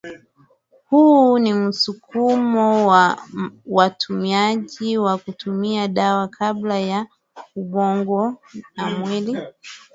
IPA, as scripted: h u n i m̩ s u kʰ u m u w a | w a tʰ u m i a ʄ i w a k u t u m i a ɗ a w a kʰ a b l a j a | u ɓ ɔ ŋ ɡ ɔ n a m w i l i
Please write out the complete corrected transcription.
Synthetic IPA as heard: h u n i m̩ s u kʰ u m ɔ w a | w a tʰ u m i a ʄ i w a k u t u m i a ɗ a w a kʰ a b l a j a | u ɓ ɔ ŋ ɡ ɔ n a m w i l i